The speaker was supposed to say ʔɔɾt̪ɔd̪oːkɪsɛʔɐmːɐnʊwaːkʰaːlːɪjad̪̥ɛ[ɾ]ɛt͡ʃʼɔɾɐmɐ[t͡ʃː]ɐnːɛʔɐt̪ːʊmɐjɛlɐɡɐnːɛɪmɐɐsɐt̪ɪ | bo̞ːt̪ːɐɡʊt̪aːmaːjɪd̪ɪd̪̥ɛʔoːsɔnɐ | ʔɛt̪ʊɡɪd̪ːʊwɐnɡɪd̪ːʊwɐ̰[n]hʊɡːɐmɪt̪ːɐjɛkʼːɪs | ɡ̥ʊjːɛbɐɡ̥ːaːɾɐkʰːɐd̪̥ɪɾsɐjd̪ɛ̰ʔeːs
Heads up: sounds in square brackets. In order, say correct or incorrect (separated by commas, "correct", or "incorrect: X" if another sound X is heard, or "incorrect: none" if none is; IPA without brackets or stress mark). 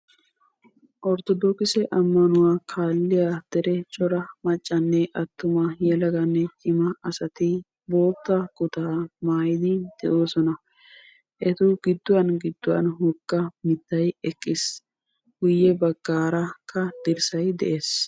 correct, incorrect: t͡ʃʼː, correct